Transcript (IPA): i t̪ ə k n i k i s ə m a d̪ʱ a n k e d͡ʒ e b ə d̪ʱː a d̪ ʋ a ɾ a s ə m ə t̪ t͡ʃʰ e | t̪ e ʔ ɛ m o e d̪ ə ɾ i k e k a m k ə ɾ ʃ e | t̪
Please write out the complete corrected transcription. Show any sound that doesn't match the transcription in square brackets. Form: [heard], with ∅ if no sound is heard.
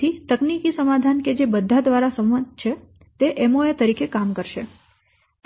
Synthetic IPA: i t̪ ə k n i k i s ə m a d̪ʱ a n k e d͡ʒ e b ə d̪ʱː a d̪ ʋ a ɾ a s ə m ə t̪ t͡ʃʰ e | t̪ e ʔ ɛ m o e [t̪] ə ɾ i k e k a m k ə ɾ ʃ e | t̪